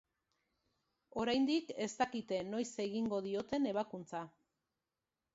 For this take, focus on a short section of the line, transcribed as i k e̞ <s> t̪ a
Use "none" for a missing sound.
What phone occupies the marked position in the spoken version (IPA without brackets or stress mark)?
s